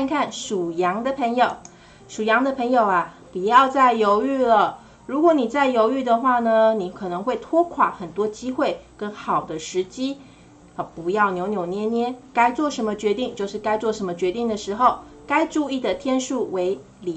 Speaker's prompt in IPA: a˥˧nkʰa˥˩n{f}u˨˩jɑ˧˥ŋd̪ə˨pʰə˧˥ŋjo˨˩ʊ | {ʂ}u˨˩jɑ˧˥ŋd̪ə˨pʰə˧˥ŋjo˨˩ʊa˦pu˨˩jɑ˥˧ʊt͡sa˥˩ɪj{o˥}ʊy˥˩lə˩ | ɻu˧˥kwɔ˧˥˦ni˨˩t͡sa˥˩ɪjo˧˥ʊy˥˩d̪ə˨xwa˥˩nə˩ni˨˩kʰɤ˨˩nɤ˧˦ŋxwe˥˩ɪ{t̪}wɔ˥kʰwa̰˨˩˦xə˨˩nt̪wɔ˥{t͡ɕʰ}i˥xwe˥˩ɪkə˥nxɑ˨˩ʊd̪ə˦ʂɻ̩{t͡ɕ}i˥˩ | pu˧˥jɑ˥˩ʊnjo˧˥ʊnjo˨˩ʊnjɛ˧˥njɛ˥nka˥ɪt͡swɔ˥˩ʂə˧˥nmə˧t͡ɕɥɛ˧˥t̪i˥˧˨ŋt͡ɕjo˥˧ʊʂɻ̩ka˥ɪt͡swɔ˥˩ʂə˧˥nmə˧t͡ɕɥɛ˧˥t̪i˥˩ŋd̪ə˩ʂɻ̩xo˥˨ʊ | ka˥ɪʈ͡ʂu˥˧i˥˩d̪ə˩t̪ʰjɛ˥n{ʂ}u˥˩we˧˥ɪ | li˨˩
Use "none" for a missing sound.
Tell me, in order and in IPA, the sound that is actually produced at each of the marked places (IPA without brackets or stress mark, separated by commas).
ʂ, ʂ, o˧˥, t̪ʰ, t͡ɕ, t͡ɕ, ʂ